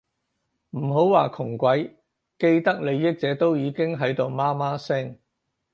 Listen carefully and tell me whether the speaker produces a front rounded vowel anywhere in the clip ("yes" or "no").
no